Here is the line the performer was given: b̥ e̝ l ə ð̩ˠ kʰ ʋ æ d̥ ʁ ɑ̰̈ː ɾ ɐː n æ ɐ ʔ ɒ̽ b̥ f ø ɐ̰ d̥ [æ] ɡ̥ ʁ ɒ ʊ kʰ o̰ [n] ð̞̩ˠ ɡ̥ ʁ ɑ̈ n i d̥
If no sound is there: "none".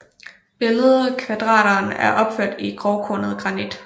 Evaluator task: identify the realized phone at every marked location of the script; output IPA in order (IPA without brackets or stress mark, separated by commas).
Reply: i, n